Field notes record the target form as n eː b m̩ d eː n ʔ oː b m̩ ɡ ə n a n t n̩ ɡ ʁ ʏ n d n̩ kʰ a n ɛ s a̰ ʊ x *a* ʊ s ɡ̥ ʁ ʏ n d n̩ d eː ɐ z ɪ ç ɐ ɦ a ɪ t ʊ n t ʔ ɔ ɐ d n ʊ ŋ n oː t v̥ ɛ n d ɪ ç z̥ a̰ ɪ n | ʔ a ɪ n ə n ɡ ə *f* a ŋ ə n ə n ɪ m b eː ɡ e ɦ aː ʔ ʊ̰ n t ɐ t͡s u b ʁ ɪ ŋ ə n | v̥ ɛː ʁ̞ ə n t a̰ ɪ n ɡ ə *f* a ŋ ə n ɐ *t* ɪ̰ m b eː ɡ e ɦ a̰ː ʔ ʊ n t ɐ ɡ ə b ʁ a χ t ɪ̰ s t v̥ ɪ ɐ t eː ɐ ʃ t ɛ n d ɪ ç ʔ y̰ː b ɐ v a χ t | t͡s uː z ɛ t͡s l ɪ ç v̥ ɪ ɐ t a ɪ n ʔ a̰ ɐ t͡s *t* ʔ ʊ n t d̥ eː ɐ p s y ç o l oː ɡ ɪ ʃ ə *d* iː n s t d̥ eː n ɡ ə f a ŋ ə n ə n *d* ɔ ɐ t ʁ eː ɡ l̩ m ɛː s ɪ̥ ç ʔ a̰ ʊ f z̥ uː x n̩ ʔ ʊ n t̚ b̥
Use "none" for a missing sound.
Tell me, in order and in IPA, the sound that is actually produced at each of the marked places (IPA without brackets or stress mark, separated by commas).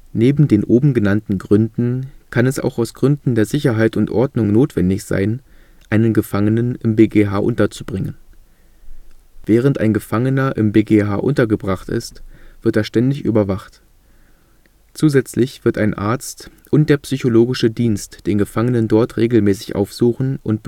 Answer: a, f, f, ʔ, t, d, d